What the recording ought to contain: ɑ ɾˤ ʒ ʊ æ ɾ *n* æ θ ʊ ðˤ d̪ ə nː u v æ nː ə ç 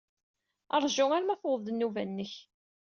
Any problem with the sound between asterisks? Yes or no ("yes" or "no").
yes